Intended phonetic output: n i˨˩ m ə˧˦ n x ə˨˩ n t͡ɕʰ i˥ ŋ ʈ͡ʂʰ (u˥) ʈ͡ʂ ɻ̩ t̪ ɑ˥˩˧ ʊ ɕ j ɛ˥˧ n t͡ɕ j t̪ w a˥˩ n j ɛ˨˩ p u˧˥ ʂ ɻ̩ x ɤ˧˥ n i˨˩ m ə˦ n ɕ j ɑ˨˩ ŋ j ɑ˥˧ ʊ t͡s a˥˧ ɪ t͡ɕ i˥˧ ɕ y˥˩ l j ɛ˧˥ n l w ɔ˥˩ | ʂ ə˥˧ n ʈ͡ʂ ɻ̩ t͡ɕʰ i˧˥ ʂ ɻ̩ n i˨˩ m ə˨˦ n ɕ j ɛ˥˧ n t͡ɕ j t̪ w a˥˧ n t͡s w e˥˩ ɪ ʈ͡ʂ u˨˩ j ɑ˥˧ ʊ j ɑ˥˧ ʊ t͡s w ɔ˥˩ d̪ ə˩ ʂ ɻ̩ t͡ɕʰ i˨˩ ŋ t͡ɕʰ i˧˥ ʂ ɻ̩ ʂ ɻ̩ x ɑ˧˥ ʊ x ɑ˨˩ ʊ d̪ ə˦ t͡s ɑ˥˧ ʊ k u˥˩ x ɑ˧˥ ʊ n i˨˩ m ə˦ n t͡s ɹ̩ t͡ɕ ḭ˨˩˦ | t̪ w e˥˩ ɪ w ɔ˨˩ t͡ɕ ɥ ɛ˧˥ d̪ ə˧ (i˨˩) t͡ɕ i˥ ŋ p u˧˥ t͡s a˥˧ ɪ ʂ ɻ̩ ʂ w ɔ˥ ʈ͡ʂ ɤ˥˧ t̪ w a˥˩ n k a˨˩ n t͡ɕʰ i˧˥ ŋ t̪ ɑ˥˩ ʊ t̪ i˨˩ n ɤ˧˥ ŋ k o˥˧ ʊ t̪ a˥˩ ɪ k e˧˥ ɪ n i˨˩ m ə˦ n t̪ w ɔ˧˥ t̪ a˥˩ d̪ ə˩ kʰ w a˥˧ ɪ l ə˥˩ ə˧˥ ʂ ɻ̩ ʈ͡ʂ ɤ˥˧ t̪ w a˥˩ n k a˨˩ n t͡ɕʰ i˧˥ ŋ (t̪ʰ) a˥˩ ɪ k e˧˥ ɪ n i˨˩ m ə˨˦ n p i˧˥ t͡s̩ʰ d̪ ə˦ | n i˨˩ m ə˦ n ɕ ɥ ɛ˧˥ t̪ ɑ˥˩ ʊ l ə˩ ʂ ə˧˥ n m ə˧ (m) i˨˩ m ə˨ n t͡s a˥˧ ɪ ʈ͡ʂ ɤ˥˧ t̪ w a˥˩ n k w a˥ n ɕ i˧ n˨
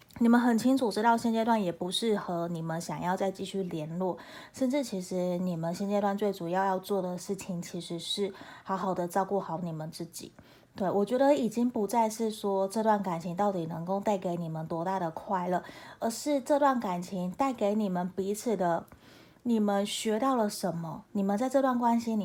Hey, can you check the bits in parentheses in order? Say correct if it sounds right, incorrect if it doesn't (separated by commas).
incorrect, correct, incorrect, incorrect